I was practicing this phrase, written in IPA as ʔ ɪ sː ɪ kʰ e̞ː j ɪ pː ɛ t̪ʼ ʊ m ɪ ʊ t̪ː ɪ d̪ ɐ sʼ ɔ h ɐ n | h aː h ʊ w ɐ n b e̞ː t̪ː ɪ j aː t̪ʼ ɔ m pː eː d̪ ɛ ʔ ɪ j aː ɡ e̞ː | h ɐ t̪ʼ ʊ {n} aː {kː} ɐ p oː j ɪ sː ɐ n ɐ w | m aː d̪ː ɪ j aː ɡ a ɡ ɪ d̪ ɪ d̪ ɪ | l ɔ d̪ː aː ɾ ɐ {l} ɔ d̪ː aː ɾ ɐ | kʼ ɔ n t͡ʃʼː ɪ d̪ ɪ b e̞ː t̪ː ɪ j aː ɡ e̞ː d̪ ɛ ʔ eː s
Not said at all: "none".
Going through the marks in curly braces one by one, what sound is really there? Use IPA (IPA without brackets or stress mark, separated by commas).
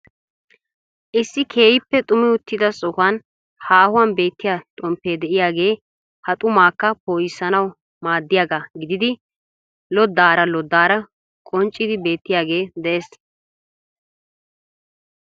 m, kː, l